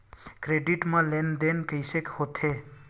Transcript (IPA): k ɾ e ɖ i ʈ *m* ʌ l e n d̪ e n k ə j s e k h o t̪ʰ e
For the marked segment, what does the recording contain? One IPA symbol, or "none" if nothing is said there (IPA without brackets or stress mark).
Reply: m